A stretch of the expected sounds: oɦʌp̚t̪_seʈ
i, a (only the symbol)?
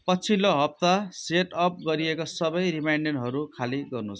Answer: a